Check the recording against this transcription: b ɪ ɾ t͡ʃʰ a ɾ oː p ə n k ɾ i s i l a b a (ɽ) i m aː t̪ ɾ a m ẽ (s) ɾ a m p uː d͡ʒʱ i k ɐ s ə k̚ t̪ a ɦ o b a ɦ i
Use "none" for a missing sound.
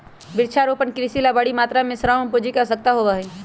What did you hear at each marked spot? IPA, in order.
ɽ, s

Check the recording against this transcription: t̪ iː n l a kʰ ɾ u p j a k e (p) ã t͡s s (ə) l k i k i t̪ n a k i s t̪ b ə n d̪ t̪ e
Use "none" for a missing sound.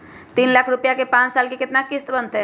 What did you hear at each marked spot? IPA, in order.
p, a

